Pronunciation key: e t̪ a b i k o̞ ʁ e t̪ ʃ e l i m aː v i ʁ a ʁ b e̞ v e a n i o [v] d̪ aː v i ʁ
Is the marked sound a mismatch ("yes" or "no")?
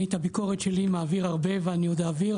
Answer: yes